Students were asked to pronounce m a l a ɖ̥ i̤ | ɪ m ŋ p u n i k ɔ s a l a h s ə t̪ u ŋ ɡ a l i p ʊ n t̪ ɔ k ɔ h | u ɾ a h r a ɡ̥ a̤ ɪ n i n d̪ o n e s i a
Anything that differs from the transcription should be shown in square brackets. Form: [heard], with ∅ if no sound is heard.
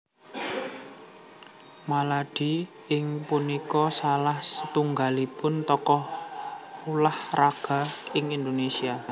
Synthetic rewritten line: m a l a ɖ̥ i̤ | ɪ [∅] ŋ p u n i k ɔ s a l a h s ə t̪ u ŋ ɡ a l i p ʊ n t̪ ɔ k ɔ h | u [l] a h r a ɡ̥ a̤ ɪ [ŋ] i n d̪ o n e s i a